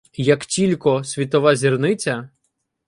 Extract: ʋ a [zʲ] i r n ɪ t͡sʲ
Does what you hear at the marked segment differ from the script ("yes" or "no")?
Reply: no